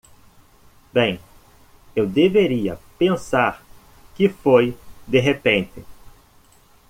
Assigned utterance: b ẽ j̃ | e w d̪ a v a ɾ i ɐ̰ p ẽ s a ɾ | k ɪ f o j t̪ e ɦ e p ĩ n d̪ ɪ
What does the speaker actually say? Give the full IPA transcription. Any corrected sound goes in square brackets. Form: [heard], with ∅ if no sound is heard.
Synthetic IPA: b ẽ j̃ | e w d̪ [e] v [e] ɾ i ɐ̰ p ẽ s a ɾ | k ɪ f o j [d̪] e ɦ e p [ẽ] n [t̪] ɪ